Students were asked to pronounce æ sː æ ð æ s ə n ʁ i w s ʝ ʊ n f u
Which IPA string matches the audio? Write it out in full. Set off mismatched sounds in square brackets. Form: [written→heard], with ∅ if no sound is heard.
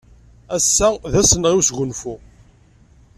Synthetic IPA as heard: æ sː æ ð æ s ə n ʁ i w s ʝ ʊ n f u